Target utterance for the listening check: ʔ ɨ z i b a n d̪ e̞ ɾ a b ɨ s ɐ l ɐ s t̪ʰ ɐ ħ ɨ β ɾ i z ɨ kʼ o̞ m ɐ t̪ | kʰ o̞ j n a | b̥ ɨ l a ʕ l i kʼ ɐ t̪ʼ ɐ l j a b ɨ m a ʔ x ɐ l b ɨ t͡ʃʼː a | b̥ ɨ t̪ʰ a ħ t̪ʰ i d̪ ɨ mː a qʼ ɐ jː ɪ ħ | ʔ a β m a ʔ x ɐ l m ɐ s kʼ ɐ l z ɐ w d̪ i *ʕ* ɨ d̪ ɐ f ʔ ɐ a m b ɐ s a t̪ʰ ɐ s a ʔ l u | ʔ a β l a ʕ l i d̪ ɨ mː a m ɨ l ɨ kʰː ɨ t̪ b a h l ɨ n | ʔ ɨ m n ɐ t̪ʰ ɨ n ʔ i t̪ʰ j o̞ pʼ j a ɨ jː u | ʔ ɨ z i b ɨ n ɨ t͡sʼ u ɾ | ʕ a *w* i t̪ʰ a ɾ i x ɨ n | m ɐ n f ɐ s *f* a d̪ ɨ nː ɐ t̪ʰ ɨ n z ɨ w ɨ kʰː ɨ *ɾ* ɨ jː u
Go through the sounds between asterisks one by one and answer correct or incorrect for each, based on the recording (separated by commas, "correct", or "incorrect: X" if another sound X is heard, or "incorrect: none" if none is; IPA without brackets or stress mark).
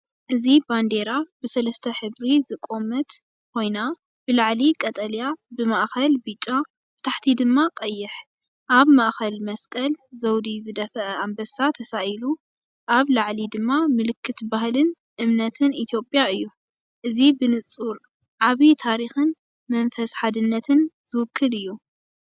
incorrect: z, incorrect: β, incorrect: ħ, incorrect: l